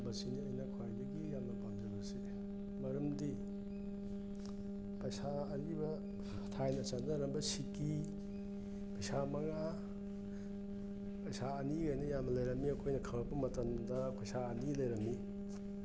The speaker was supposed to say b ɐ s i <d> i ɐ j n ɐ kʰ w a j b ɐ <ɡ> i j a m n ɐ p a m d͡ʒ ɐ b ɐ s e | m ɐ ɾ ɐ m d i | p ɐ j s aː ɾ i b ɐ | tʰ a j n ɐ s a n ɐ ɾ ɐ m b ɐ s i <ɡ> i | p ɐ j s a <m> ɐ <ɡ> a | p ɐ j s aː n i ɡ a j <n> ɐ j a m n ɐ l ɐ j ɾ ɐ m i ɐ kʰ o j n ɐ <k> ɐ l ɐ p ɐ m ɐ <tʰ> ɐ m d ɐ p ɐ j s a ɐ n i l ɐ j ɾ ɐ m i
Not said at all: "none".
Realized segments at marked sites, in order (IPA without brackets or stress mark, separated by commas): n, ɡ, k, m, ŋ, n, kʰ, t